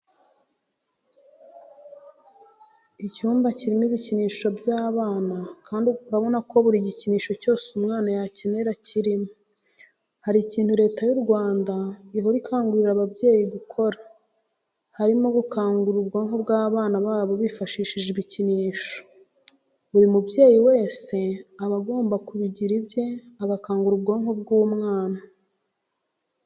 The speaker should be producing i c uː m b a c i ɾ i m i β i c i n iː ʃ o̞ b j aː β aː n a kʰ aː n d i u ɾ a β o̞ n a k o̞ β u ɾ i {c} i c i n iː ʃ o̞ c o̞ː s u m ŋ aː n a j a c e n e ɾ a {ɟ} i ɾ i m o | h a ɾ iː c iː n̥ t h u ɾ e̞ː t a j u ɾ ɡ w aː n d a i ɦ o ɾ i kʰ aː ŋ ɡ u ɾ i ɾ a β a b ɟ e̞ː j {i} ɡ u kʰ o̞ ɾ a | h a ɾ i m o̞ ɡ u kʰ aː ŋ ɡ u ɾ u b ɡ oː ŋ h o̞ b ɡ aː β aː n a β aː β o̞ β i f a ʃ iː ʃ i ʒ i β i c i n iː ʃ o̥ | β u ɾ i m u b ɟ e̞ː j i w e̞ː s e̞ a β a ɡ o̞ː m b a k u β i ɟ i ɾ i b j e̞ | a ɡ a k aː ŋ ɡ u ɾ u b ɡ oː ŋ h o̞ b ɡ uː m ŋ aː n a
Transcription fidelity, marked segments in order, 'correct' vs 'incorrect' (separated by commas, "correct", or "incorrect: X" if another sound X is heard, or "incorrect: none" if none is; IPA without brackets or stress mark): incorrect: ɟ, incorrect: c, correct